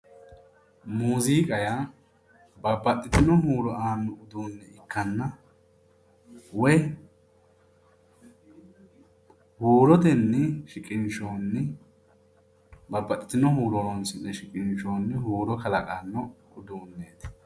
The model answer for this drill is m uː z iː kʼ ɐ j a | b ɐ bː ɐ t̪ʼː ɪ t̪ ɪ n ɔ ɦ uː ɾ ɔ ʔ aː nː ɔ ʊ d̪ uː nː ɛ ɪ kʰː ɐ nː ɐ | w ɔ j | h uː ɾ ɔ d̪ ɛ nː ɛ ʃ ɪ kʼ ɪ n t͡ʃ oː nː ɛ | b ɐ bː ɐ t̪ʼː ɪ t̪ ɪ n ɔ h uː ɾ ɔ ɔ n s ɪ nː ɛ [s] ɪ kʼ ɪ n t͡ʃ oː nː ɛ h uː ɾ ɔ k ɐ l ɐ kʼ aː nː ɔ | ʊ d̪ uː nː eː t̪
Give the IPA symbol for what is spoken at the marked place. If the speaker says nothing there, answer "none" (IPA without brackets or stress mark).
ʃ